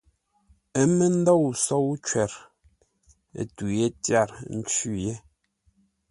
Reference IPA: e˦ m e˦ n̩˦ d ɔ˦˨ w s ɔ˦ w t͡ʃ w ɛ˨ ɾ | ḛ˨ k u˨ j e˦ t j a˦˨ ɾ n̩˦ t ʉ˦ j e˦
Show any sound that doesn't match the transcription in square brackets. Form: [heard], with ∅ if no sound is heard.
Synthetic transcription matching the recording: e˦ m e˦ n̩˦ d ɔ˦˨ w s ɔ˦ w t͡ʃ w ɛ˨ ɾ | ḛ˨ [t] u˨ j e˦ t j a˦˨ ɾ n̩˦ [t͡ʃ] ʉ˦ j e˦